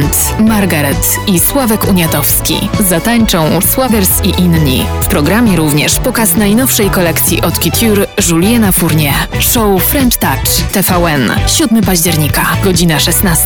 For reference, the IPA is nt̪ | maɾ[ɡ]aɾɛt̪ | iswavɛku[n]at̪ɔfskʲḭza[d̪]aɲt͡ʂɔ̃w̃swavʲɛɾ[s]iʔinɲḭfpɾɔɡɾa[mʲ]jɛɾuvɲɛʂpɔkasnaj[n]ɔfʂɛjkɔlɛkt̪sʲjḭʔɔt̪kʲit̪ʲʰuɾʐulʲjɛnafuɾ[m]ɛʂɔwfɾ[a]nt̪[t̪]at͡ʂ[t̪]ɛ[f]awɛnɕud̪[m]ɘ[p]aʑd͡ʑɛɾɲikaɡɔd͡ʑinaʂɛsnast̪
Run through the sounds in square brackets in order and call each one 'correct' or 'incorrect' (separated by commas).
correct, incorrect, incorrect, correct, correct, correct, incorrect, incorrect, correct, correct, correct, correct, correct